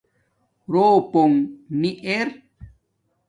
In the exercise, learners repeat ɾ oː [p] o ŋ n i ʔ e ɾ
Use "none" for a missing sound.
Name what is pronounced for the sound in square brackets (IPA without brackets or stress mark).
p